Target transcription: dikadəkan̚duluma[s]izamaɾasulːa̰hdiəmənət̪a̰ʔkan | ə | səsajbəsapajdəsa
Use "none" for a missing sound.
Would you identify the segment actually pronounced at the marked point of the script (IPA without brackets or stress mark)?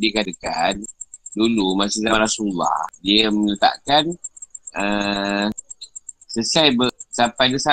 s